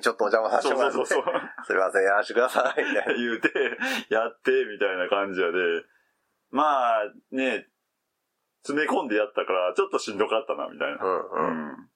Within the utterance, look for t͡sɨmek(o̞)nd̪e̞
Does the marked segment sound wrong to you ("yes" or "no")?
yes